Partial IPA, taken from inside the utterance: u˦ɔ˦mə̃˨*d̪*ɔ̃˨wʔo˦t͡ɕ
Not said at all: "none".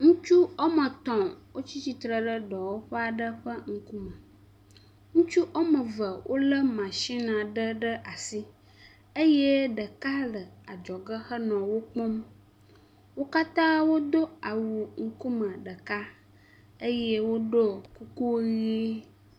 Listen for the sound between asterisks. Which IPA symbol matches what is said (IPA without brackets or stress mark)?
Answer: t̪